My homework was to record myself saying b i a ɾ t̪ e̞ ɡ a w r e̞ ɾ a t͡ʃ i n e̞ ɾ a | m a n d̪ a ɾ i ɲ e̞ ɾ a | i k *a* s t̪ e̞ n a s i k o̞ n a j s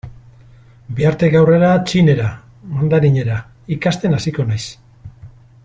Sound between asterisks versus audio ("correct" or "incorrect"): correct